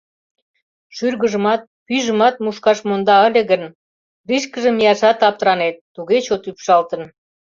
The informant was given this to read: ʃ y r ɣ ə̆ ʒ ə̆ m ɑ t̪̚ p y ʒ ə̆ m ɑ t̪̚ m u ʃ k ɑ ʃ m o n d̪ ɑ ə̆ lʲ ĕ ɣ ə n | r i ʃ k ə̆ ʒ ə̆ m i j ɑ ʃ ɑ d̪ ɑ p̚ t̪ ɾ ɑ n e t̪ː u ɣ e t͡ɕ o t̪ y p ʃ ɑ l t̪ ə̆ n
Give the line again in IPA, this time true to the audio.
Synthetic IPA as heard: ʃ y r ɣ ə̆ ʒ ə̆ m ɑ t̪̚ p y ʒ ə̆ m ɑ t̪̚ m u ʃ k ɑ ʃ m o n d̪ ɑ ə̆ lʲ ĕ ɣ ə n | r i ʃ k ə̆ ʒ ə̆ m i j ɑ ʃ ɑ t̪ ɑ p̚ t̪ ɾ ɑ n e t̪ː u ɣ e t͡ɕ o t̪ y p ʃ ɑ l t̪ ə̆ n